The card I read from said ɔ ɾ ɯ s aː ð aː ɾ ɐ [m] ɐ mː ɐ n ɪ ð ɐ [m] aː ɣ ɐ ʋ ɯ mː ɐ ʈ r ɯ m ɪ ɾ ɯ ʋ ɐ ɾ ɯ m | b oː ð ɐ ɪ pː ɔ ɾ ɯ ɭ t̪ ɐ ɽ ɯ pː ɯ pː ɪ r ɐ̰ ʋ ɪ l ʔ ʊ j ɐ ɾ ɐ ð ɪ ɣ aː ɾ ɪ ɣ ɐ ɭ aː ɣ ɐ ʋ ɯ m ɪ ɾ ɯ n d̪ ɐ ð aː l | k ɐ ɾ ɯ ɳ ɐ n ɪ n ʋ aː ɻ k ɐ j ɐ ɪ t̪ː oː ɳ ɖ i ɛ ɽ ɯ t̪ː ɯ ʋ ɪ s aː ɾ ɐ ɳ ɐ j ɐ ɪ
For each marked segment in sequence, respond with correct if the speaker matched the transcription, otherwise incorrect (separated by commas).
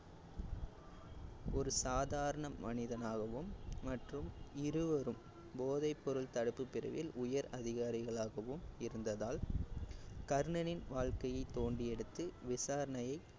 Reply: incorrect, incorrect